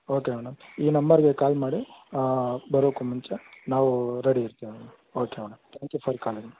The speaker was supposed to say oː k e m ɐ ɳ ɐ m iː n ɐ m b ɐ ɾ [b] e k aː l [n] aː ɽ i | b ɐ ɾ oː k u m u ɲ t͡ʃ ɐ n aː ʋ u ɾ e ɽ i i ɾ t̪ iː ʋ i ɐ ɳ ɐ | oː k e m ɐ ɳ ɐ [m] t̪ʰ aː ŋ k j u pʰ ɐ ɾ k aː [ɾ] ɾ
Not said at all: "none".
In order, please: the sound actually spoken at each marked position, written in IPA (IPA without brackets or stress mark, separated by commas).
ɡ, m, m, l